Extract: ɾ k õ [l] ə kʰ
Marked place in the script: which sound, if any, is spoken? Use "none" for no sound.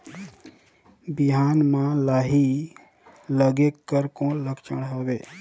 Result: l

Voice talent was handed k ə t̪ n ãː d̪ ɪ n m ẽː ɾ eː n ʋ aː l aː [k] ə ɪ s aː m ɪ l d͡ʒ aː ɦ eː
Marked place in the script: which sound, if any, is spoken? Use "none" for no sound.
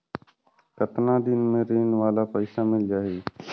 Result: p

